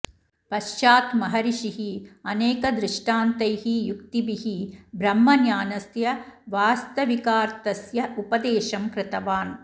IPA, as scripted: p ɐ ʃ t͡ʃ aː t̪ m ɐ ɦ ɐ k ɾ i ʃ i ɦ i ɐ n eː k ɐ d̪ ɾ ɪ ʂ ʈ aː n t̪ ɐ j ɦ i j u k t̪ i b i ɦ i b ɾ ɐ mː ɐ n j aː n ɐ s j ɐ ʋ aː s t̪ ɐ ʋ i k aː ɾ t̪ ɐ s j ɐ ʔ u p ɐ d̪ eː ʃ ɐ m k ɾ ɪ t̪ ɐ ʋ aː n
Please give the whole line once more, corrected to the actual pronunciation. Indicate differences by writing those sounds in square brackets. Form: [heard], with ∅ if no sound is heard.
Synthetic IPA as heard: p ɐ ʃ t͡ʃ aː t̪ m ɐ ɦ ɐ [∅] ɾ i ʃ i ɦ i ɐ n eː k ɐ d̪ ɾ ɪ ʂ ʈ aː n t̪ ɐ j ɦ i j u k t̪ i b i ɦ i b ɾ ɐ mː ɐ n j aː n ɐ s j ɐ ʋ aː s t̪ ɐ ʋ i k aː ɾ t̪ ɐ s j ɐ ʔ u p ɐ d̪ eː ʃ ɐ m k ɾ ɪ t̪ ɐ ʋ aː n